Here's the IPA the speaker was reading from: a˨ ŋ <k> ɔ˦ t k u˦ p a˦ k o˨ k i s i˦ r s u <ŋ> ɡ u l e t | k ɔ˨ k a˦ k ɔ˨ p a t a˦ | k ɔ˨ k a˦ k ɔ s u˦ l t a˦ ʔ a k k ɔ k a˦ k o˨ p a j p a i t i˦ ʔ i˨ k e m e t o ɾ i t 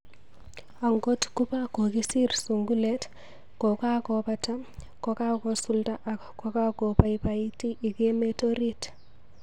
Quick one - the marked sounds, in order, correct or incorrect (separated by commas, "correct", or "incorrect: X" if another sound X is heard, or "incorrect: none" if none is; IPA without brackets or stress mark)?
incorrect: ɡ, correct